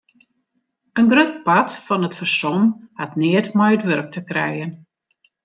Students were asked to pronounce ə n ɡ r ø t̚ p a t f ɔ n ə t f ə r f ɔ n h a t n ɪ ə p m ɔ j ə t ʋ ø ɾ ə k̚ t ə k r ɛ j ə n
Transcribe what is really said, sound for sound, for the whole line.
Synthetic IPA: ə n ɡ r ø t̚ p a t f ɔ n ə t f ə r s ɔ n h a t n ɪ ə t m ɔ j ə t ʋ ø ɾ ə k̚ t ə k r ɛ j ə n